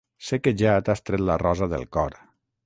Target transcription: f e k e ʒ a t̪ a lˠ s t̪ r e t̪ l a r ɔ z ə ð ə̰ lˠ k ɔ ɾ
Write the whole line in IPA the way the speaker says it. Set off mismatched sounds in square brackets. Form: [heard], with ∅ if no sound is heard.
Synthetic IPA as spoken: [s] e k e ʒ a t̪ a [∅] s t̪ [ɾ] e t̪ l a r ɔ z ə ð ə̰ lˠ k ɔ ɾ